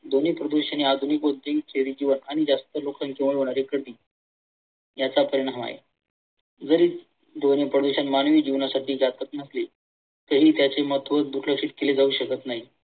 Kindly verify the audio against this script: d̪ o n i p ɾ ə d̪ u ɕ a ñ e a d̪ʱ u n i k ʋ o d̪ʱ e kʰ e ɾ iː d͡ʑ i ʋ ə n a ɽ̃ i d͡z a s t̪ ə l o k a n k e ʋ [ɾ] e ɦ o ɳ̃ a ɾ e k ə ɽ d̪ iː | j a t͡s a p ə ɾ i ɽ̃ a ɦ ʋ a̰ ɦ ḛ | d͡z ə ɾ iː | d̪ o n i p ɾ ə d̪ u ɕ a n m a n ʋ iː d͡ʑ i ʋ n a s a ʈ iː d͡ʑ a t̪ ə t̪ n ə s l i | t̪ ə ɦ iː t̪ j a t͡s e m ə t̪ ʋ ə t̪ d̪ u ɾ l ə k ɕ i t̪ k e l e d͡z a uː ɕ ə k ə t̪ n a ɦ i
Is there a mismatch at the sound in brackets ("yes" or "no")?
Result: yes